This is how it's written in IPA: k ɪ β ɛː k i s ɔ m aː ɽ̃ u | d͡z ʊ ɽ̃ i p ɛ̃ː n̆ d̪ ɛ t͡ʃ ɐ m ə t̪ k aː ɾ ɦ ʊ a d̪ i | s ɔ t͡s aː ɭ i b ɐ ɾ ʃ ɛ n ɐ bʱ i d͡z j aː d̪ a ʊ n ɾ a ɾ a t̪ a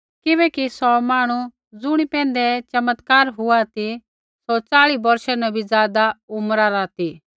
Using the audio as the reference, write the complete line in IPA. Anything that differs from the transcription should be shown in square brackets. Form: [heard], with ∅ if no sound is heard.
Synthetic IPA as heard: k ɪ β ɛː k i s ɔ m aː ɽ̃ u | d͡z ʊ ɽ̃ i p ɛ̃ː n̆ d̪ ɛ t͡ʃ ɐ m ə t̪ k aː ɾ ɦ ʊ a [t̪] i | s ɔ t͡s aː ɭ i b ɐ ɾ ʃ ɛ n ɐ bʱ i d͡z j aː d̪ a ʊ [m] ɾ a ɾ a t̪ [i]